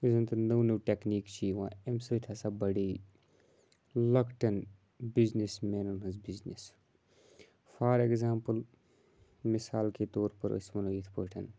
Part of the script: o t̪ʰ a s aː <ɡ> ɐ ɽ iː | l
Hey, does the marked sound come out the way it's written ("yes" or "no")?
no